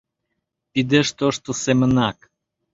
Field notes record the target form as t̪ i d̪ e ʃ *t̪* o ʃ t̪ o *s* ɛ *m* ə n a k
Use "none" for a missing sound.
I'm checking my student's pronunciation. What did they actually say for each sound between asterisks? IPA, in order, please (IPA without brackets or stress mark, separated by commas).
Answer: t̪, s, m